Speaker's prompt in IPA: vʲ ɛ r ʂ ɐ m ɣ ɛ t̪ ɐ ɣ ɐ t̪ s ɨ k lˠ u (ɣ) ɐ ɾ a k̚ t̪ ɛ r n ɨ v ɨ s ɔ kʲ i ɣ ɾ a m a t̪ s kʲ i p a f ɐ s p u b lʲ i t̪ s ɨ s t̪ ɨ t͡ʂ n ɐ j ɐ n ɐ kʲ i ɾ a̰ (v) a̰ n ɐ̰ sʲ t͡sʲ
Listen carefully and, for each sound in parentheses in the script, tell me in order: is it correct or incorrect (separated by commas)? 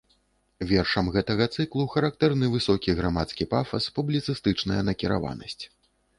incorrect, correct